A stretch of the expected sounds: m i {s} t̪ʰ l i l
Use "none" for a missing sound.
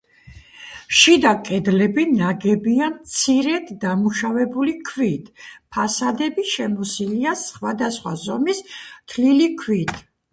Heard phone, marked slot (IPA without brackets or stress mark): s